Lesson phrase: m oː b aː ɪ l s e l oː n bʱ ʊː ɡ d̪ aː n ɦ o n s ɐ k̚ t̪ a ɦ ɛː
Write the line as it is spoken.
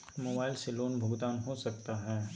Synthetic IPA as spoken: m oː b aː ɪ l s e l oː n bʱ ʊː ɡ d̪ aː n ɦ o s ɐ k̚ t̪ a ɦ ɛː